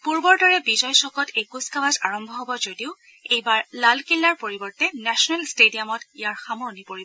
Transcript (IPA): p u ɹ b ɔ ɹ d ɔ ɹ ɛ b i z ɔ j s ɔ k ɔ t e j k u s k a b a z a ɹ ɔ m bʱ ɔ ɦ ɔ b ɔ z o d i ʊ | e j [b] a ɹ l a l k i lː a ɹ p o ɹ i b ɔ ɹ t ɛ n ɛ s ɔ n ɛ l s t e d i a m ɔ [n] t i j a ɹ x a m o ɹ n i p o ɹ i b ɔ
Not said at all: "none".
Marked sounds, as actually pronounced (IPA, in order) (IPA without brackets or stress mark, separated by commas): b, none